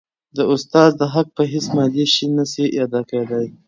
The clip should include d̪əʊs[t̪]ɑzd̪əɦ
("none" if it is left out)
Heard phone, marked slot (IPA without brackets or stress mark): t̪